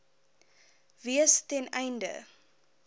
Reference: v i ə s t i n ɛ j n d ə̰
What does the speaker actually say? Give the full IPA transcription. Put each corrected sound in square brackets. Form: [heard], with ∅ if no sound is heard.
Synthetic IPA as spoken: v i ə s t [ɛ] n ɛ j n d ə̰